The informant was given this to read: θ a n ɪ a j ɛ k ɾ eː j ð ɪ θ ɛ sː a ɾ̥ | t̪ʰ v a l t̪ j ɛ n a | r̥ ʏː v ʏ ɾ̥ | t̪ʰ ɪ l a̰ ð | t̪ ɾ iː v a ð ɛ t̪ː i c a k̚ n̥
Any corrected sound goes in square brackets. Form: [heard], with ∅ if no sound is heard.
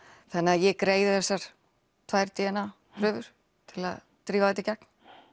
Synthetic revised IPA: θ a n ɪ a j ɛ k ɾ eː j ð ɪ θ ɛ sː a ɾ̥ | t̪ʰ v a [ɾ] t̪ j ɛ n a | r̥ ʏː v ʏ ɾ̥ | t̪ʰ ɪ l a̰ ð | t̪ ɾ iː v a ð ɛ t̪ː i c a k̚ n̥